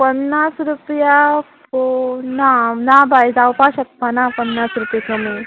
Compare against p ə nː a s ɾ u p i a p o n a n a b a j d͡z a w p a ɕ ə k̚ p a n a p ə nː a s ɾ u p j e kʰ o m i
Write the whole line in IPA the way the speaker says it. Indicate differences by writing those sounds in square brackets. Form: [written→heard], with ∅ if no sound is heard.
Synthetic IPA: p ə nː a s ɾ u p [i→j] a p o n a n a b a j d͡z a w p a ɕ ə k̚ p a n a p ə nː a s ɾ u p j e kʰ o m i